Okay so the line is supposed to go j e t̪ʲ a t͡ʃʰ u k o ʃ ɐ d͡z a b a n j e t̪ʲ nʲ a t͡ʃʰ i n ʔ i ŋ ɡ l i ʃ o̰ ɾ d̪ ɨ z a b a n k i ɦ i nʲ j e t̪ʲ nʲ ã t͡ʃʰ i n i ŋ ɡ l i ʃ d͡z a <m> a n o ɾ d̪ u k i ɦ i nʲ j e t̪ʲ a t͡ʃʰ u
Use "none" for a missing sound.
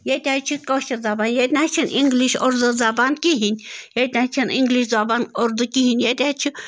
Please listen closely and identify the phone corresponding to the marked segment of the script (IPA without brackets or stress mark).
b